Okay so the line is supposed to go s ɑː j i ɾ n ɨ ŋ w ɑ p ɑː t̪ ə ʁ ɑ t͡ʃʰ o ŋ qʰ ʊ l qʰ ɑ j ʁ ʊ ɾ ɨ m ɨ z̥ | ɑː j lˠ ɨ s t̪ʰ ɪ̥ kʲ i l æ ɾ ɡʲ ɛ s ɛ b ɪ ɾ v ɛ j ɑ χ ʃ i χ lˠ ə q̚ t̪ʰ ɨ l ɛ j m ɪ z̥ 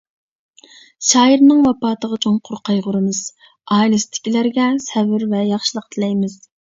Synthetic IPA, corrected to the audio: ʃ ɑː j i ɾ n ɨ ŋ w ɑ p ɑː t̪ ə ʁ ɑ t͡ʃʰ o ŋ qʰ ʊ ɾ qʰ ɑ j ʁ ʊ ɾ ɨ m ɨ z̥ | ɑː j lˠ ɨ s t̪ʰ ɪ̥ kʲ i l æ ɾ ɡʲ ɛ s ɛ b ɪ ɾ v ɛ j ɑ χ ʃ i lˠ ə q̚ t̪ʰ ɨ l ɛ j m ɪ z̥